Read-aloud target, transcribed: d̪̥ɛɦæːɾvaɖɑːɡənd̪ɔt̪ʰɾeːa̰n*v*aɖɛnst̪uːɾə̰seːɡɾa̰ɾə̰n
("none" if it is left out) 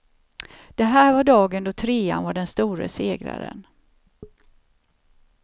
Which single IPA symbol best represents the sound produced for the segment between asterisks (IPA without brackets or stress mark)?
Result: v